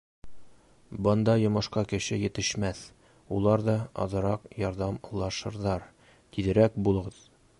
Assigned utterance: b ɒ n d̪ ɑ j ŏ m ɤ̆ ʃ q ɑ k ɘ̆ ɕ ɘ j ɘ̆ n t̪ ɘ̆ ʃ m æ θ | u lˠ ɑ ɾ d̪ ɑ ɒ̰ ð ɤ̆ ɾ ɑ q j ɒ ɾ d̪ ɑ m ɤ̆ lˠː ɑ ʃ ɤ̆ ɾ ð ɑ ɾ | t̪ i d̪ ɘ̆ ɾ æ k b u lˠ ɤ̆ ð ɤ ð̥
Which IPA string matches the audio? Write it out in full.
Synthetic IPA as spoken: b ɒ n d̪ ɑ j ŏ m ɤ̆ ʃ q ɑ k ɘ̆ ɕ ɘ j ɘ̆ t̪ ɘ̆ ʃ m æ θ | u lˠ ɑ ɾ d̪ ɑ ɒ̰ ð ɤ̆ ɾ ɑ q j ɒ ɾ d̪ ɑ m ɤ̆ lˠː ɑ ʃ ɤ̆ ɾ ð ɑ ɾ | t̪ i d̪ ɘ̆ ɾ æ k b u lˠ ɤ̆ ʁ ɤ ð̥